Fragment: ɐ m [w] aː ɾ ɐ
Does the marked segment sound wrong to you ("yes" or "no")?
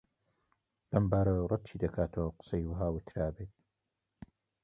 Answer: yes